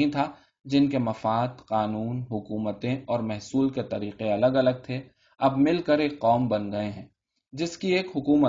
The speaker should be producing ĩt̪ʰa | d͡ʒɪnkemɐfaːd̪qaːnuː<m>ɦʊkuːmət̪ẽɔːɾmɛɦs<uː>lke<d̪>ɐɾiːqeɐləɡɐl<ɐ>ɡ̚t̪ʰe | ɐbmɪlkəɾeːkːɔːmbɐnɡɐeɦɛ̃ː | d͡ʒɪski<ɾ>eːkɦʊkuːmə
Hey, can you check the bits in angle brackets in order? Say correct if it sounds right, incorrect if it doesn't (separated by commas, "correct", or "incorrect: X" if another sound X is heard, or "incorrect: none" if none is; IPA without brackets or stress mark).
incorrect: n, correct, incorrect: t̪, incorrect: ə, incorrect: none